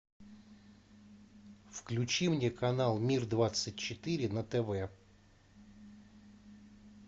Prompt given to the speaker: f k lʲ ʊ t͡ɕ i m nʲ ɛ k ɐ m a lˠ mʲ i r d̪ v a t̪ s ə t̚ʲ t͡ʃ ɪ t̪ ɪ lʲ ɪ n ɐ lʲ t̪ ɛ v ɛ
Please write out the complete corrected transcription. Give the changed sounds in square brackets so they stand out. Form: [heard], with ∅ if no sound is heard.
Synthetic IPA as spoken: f k lʲ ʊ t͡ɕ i m nʲ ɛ k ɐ [n] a lˠ mʲ i r d̪ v a t̪ s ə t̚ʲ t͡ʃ ɪ t̪ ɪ [ɾʲ] ɪ n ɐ [∅] t̪ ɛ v ɛ

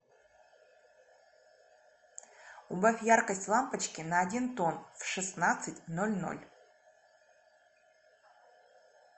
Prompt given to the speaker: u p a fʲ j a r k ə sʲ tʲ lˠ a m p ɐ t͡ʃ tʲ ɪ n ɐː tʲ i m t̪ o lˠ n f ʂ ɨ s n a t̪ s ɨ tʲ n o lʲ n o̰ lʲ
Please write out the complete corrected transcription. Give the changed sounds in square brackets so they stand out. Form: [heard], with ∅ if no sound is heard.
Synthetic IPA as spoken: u [b] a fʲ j a r k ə sʲ tʲ lˠ a m p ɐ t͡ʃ [kʲ] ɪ n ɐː [dʲ] i [n] t̪ o [∅] n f ʂ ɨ s n a t̪ s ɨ tʲ n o lʲ n o̰ lʲ

